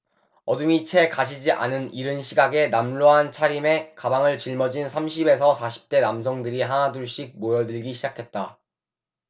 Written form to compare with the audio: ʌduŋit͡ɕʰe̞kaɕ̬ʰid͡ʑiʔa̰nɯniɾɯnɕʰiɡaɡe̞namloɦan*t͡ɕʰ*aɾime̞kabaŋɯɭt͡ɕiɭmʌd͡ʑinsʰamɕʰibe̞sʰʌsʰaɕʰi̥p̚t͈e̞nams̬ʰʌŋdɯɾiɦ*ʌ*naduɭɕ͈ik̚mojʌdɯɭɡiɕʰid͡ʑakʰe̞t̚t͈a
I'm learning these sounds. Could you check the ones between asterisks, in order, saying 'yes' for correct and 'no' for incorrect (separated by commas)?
yes, no